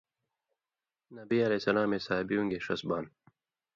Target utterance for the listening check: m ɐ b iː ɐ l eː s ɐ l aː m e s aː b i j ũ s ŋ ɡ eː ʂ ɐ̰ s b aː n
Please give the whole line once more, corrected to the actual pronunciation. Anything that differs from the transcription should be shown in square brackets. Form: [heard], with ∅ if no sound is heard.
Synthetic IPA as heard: [n] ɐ b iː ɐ l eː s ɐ l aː m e s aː b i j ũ [∅] ŋ ɡ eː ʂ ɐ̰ s b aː n